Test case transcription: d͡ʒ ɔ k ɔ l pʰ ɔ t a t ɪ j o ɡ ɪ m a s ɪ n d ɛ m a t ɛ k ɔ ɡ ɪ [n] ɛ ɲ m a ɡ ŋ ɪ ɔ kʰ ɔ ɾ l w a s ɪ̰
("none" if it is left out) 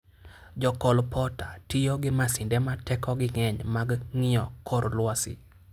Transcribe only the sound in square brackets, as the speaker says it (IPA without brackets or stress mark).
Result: ŋ